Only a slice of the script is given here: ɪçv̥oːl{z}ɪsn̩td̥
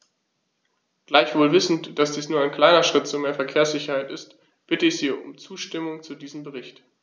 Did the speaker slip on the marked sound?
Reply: yes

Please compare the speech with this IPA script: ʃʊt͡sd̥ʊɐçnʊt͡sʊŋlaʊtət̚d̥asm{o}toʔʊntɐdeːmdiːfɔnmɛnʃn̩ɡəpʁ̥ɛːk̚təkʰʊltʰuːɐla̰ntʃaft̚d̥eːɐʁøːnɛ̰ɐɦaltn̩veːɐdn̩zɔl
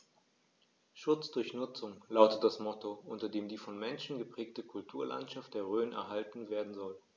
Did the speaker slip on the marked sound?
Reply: yes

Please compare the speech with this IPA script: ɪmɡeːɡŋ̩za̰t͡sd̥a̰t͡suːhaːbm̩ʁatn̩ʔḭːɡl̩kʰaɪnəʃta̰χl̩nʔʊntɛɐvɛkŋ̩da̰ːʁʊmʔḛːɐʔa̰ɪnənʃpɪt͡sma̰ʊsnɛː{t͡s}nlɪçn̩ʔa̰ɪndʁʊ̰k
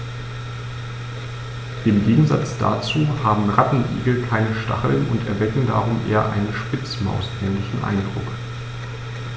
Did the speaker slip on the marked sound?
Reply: yes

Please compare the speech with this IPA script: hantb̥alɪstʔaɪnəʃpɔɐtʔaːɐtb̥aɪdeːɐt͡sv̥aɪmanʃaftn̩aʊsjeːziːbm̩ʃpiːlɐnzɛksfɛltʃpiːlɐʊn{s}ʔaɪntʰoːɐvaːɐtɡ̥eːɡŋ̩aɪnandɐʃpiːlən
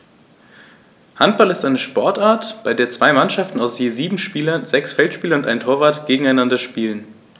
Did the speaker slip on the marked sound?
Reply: yes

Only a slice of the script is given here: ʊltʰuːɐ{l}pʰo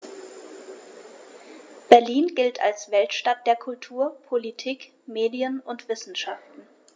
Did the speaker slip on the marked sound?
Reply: yes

